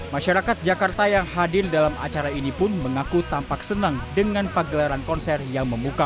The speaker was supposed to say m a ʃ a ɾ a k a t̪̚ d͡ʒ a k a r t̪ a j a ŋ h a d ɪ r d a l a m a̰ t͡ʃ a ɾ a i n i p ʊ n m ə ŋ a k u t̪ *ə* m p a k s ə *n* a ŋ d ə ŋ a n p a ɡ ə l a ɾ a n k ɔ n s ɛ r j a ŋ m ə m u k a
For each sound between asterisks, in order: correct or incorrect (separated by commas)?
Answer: incorrect, correct